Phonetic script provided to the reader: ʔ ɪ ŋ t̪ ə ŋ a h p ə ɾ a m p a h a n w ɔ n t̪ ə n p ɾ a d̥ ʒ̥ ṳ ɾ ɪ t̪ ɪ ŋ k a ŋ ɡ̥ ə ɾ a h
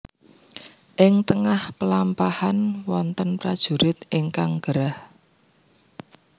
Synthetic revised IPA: ʔ ɪ ŋ t̪ ə ŋ a h p ə l a m p a h a n w ɔ n t̪ ə n p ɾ a d̥ ʒ̥ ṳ ɾ ɪ t̪ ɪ ŋ k a ŋ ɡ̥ ə ɾ a h